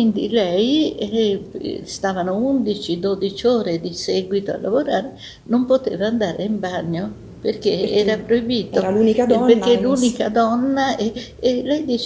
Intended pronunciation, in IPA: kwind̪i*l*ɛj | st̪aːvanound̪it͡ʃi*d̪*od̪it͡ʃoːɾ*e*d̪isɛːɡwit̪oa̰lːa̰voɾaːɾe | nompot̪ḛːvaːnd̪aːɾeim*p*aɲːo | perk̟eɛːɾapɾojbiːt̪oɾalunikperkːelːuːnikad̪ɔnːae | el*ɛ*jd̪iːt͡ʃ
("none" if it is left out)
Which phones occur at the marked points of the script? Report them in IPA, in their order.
l, d̪, e, b, ɛ

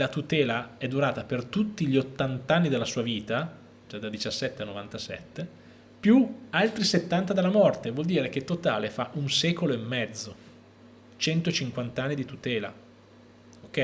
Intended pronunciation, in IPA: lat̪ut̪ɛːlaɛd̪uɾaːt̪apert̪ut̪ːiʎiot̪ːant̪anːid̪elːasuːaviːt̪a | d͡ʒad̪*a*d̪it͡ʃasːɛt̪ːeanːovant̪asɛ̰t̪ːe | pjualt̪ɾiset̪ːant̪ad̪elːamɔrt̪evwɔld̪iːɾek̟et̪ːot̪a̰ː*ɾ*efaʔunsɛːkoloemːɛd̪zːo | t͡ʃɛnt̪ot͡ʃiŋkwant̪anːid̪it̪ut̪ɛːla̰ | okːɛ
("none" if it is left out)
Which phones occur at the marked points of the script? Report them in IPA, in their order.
a, l

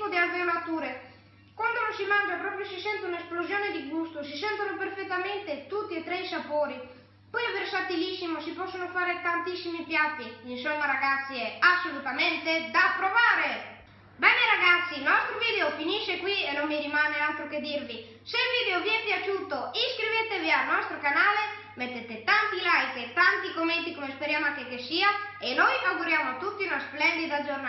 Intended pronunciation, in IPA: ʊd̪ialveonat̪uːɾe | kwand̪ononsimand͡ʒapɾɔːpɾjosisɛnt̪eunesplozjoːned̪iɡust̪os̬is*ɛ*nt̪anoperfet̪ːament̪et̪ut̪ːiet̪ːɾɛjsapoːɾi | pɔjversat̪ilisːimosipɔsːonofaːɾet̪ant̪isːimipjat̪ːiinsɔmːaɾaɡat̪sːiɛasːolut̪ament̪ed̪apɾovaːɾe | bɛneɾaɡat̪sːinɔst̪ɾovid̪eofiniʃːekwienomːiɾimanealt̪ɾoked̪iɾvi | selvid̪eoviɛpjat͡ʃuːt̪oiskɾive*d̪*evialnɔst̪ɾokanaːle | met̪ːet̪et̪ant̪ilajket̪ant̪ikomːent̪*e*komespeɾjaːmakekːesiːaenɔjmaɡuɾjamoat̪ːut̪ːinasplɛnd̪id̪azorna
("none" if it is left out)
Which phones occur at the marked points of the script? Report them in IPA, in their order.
ɛ, t̪, i

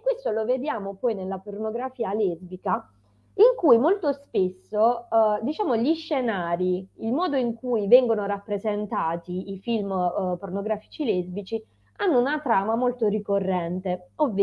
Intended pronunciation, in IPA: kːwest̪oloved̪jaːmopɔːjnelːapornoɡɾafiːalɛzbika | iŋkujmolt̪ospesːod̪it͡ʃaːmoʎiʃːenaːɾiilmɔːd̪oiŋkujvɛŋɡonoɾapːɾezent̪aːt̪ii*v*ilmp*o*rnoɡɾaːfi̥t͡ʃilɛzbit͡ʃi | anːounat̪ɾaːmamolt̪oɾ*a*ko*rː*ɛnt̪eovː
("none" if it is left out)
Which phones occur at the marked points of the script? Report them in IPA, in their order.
f, o, i, rː

